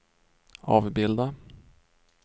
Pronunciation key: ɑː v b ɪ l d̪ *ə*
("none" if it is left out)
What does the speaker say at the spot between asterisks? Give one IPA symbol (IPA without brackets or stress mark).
a